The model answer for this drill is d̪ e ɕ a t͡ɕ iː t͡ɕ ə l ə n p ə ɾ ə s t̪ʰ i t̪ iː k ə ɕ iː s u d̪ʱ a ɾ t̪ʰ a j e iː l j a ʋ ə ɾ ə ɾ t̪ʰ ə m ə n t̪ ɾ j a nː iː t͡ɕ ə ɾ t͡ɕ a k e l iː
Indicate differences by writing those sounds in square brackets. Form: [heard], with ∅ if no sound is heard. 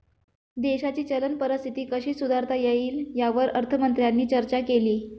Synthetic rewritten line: d̪ e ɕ a t͡ɕ iː t͡ɕ ə l ə n p ə ɾ ə s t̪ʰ i t̪ iː k ə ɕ iː s u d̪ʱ a ɾ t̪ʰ a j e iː l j a ʋ ə ɾ ə ɾ t̪ʰ ə m ə n t̪ ɾ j a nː iː t͡ɕ ə ɾ t͡ɕ a k e l iː